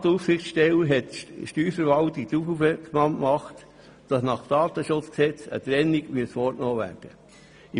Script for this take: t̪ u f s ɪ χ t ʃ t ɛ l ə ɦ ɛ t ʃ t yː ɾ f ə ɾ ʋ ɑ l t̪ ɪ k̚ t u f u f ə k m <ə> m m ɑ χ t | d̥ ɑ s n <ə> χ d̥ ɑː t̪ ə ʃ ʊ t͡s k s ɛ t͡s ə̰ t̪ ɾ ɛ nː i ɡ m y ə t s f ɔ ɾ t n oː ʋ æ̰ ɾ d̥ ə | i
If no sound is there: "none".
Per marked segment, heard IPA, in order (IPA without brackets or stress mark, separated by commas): ɑ, ɑ